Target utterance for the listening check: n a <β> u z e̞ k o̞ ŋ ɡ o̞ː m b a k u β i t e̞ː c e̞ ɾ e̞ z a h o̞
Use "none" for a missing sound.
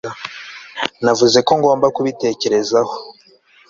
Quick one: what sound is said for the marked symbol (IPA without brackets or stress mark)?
v